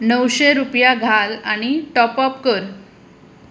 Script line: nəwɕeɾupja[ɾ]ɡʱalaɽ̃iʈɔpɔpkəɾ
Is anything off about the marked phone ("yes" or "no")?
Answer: yes